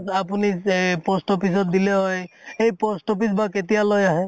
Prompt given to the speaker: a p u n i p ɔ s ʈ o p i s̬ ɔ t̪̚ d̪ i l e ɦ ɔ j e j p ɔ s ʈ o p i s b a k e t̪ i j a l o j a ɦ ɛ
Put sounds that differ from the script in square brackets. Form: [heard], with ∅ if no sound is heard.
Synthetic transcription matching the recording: a p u n i p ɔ s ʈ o p i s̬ ɔ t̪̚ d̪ i l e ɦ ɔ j e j p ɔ s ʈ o p i s b a k e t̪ i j a l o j a ɦ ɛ